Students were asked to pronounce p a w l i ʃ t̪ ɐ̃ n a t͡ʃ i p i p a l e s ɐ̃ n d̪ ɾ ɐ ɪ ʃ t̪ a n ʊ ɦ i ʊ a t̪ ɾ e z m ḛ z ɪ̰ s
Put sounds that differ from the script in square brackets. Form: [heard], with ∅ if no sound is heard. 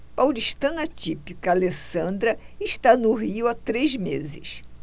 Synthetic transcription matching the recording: p a w l i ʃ t̪ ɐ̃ n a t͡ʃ i p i [k] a l e s ɐ̃ n d̪ ɾ ɐ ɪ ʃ t̪ a n ʊ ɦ i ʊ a t̪ ɾ e z m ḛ z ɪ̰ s

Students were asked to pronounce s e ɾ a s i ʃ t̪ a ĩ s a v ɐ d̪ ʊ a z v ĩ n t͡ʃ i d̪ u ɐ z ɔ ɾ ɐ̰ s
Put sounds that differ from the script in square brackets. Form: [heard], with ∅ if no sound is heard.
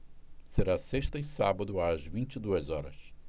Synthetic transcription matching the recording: s e ɾ a s [e] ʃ t̪ [ɐ] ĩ s a [b] ɐ d̪ ʊ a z v ĩ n t͡ʃ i d̪ u ɐ z ɔ ɾ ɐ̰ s

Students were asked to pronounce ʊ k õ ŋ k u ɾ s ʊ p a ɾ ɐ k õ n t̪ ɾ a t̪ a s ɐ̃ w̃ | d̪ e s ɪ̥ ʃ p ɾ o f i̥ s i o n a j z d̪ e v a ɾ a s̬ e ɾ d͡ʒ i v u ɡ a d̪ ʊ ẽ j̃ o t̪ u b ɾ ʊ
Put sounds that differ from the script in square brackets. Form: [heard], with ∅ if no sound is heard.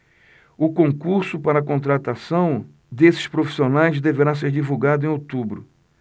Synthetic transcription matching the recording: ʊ k õ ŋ k u ɾ s ʊ p a ɾ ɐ k õ n t̪ ɾ a t̪ a s ɐ̃ w̃ | d̪ e s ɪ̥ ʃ p ɾ o f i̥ s i o n a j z d̪ e v [e] ɾ a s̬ e ɾ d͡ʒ i v u ɡ a d̪ ʊ ẽ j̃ o t̪ u b ɾ ʊ

